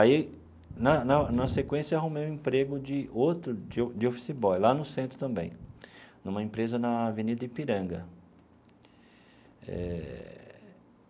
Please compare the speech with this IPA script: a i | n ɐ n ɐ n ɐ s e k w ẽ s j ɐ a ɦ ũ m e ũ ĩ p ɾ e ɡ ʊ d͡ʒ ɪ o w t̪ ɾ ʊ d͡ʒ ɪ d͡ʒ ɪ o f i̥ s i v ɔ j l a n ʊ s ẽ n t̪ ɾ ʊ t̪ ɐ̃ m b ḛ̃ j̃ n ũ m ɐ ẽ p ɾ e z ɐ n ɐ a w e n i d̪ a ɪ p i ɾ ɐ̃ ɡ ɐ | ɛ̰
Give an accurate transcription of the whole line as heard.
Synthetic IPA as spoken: a i | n ɐ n ɐ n ɐ s e k w ẽ s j ɐ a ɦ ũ m e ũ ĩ p ɾ e ɡ ʊ d͡ʒ ɪ o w t̪ ɾ ʊ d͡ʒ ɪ d͡ʒ ɪ o f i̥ s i b ɔ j l a n ʊ s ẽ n t̪ ɾ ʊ t̪ ɐ̃ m b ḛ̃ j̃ n ũ m ɐ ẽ p ɾ e z ɐ n ɐ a v e n i d̪ ɐ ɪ p i ɾ ɐ̃ ɡ ɐ | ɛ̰